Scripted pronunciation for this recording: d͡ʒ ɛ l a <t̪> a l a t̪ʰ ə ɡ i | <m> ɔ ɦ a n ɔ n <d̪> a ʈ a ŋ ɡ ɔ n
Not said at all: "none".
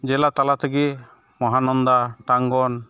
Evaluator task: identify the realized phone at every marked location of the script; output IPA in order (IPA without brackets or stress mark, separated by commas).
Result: t̪, m, d̪